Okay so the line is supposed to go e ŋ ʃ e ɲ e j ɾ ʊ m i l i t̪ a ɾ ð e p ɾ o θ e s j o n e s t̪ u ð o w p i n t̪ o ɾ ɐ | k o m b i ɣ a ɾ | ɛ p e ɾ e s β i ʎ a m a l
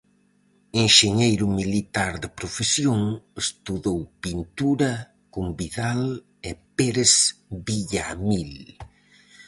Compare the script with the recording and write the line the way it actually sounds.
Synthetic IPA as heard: e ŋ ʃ e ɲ e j ɾ ʊ m i l i t̪ a ɾ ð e p ɾ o f e s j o ŋ e s t̪ u ð o w p i n t̪ u ɾ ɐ | k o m b i ð a l | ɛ p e ɾ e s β i ʎ a m i l